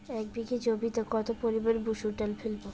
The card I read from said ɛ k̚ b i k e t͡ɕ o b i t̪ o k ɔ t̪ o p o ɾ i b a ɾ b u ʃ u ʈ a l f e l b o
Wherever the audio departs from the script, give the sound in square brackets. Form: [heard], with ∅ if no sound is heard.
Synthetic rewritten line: ɛ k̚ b i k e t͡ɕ o b i t̪ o k ɔ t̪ o p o ɾ i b a ɾ b u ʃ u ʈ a l f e l b o